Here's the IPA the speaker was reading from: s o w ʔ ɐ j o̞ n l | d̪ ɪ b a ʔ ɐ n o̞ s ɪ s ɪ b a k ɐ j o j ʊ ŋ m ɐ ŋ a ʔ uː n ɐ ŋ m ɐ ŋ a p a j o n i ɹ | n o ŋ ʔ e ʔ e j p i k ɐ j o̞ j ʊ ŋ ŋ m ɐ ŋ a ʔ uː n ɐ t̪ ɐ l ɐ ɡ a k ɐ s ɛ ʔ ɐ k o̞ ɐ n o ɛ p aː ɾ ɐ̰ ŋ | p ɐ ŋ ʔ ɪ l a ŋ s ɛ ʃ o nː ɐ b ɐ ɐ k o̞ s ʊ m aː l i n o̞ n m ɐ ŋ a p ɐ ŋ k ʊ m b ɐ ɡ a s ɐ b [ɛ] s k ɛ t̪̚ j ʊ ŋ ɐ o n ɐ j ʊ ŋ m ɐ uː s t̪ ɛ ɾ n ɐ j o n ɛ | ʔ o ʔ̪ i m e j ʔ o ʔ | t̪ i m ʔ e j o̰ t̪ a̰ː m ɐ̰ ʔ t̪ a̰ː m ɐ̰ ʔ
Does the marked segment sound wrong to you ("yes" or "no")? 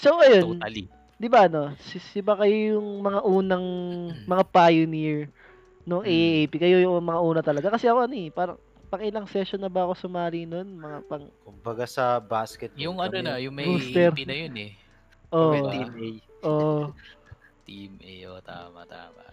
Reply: yes